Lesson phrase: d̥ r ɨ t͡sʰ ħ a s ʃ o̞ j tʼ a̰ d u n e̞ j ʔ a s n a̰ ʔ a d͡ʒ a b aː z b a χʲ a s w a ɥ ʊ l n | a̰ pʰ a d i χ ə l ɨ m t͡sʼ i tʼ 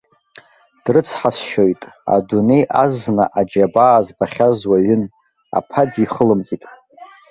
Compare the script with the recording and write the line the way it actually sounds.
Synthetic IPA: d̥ r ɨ t͡sʰ ħ a s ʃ o̞ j tʼ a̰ d u n e̞ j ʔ a z n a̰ ʔ a d͡ʒ a b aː z b a χʲ a z w a ɥ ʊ n | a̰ pʰ a d i χ ə l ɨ m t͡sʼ i tʼ